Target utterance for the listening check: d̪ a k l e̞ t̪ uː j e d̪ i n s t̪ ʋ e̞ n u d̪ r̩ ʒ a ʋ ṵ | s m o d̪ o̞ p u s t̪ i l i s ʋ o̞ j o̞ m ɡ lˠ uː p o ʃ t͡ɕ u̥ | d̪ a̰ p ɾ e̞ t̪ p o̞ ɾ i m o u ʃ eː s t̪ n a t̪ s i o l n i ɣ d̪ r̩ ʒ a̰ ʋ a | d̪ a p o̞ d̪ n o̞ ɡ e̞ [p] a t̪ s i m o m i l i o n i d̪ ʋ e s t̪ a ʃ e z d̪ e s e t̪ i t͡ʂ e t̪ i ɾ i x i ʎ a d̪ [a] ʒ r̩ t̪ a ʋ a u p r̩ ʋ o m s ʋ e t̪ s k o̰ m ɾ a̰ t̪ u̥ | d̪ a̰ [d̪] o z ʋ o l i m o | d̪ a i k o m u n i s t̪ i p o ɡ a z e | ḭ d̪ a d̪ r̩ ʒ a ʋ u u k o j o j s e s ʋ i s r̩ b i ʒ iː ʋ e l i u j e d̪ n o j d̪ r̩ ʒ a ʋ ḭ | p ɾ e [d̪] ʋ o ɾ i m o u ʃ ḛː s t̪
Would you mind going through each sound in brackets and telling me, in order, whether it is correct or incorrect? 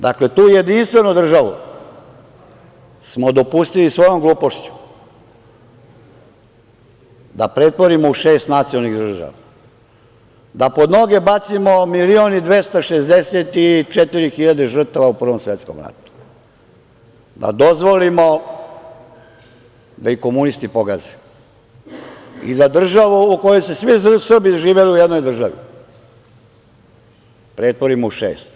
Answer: incorrect: b, incorrect: e, correct, incorrect: t̪

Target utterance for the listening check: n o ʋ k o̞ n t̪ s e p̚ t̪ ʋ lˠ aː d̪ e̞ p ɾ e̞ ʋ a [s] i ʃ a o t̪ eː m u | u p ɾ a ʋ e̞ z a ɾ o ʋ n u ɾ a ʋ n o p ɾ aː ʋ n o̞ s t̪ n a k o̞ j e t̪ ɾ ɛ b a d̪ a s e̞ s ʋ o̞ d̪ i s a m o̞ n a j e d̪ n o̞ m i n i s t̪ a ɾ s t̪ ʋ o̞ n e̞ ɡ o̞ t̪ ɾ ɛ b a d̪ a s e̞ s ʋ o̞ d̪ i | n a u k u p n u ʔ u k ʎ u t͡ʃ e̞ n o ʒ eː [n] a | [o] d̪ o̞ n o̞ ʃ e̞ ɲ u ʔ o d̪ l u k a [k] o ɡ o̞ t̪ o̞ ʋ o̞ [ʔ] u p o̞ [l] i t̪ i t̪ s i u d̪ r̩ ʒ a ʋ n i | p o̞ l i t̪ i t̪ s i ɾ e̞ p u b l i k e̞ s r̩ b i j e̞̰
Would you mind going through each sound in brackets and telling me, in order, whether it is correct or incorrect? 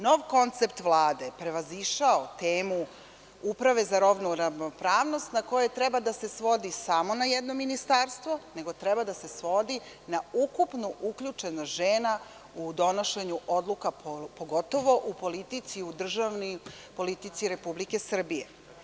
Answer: incorrect: z, correct, incorrect: u, incorrect: p, correct, correct

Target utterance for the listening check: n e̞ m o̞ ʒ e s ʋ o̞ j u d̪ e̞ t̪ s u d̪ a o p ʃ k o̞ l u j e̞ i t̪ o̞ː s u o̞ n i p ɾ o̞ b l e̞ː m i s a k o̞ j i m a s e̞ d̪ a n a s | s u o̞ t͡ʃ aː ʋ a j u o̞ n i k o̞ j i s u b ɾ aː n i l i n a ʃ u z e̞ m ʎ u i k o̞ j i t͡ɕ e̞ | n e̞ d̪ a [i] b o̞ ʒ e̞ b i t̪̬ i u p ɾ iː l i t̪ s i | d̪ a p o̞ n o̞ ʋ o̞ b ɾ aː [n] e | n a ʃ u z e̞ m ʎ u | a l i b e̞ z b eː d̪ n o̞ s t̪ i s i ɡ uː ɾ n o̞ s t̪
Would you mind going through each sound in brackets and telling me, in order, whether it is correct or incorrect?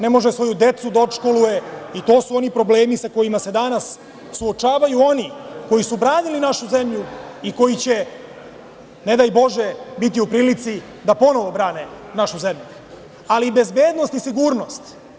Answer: incorrect: j, correct

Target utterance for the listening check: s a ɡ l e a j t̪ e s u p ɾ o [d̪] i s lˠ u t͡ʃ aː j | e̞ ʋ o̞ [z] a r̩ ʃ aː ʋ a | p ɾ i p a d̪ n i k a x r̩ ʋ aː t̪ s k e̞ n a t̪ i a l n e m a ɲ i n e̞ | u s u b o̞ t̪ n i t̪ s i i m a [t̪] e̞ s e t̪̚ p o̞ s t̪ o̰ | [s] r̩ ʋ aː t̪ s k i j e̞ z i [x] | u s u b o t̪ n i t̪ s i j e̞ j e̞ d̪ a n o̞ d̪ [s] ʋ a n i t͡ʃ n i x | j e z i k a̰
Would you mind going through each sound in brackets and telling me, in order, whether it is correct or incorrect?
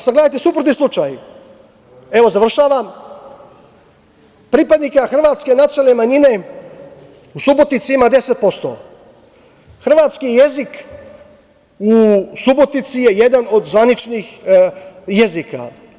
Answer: incorrect: t̪, correct, incorrect: d̪, incorrect: x, incorrect: k, incorrect: z

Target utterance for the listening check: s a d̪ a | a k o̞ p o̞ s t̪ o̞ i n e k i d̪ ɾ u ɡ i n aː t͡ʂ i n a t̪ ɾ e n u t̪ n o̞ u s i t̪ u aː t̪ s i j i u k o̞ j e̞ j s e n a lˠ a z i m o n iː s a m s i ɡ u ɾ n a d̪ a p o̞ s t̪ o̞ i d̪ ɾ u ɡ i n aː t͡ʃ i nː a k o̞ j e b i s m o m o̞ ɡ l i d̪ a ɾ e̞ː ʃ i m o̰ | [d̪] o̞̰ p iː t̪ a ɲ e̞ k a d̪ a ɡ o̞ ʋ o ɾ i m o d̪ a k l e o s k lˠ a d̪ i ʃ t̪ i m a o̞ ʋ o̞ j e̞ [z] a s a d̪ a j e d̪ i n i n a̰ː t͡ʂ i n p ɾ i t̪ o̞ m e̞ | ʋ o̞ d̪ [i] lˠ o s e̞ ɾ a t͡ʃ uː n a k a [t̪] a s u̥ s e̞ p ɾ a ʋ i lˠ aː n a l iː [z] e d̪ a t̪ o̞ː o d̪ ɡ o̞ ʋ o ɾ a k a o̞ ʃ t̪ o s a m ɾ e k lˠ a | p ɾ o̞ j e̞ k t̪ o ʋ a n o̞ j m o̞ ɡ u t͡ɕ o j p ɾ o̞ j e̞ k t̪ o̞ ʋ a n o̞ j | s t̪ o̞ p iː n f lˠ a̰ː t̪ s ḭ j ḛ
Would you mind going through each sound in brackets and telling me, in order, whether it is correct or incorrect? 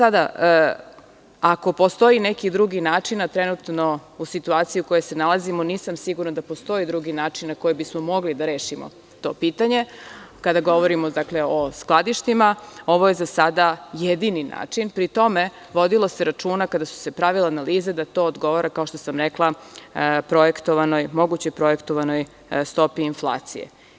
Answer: incorrect: t̪, correct, correct, incorrect: d̪, correct

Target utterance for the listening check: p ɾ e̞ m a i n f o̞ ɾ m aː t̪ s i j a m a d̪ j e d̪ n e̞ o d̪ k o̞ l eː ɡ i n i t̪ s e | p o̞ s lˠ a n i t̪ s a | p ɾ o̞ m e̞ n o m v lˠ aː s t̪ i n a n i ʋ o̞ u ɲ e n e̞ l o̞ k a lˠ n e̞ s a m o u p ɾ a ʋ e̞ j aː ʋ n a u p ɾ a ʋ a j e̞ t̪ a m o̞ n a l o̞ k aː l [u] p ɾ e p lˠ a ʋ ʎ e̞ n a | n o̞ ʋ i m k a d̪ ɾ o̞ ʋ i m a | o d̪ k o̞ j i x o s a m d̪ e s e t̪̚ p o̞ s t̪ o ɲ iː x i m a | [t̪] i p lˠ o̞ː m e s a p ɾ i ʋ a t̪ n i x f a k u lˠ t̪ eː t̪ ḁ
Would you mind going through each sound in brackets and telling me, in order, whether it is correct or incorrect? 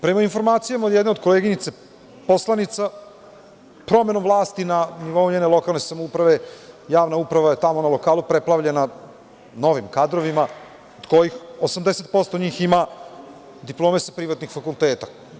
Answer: correct, incorrect: d̪

